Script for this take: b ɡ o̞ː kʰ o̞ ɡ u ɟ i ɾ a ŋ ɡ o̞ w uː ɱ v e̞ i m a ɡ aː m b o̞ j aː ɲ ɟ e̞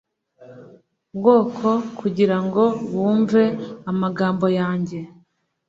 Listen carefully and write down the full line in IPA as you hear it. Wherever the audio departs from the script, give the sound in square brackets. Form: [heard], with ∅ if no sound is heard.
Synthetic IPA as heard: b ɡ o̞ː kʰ o̞ [k] u ɟ i ɾ a ŋ ɡ o̞ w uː ɱ v e̞ [a] m a ɡ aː m b o̞ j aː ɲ ɟ e̞